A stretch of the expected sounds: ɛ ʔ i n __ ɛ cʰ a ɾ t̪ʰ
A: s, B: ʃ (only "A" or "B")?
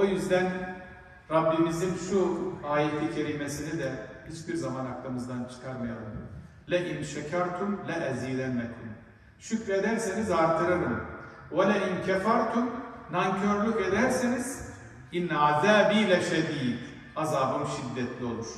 B